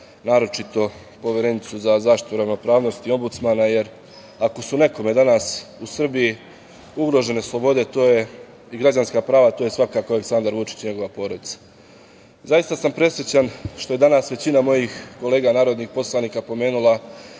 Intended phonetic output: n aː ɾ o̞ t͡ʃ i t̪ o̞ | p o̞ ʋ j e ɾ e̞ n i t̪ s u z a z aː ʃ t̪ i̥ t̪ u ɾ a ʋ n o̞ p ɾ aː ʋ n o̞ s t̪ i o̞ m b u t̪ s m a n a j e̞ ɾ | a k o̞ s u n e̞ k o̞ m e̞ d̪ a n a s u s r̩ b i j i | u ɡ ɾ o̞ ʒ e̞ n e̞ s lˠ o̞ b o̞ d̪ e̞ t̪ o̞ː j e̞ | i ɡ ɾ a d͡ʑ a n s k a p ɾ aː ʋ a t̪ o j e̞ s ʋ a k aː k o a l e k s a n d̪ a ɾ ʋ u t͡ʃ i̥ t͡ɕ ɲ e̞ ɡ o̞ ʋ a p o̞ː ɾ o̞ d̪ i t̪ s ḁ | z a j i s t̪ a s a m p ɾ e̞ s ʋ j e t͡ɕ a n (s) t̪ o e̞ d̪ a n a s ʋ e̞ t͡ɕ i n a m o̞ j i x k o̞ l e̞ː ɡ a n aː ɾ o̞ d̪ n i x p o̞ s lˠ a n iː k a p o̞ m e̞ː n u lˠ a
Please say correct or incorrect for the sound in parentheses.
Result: incorrect